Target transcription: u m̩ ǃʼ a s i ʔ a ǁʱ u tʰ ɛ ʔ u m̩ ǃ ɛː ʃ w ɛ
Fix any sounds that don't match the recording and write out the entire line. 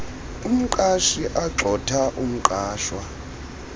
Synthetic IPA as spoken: u m̩ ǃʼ a ʃ i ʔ a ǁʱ ɔ tʰ a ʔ u m̩ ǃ aː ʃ w a